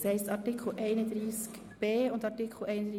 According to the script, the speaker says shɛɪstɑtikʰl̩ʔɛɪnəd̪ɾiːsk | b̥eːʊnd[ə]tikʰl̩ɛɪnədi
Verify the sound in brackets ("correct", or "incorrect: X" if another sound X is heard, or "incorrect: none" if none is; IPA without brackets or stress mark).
incorrect: ɑ